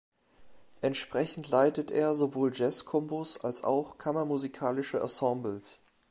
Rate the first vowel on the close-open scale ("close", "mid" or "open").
mid